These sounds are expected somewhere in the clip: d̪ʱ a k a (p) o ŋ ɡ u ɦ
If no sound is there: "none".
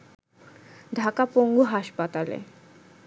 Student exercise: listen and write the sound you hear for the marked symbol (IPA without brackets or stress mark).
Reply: p